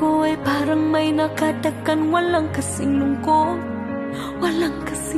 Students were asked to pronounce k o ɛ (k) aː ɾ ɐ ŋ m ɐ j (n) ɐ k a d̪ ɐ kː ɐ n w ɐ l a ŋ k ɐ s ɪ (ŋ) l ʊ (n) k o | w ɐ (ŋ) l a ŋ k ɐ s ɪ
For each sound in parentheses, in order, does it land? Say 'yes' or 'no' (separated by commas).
no, yes, yes, no, no